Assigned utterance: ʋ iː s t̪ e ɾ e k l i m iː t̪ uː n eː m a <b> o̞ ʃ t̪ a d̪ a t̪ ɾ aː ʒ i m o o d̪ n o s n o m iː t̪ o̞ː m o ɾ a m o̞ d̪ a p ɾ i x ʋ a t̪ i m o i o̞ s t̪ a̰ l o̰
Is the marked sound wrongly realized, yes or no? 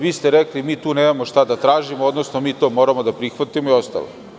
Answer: yes